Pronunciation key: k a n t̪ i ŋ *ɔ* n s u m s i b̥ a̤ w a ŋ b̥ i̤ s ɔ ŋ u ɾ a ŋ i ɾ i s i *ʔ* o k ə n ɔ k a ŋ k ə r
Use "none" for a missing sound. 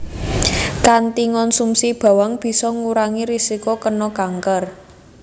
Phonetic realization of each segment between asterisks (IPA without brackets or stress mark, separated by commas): ɔ, k